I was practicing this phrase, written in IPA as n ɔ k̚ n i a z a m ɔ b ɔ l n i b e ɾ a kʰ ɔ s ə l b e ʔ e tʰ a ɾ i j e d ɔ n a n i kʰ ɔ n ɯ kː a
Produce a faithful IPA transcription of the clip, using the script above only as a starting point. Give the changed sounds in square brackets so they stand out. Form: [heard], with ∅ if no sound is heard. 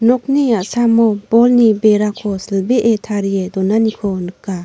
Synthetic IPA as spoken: n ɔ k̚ n i a [s] a m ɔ b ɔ l n i b e ɾ a kʰ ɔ s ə l b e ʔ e tʰ a ɾ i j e d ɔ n a n i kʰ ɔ n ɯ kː a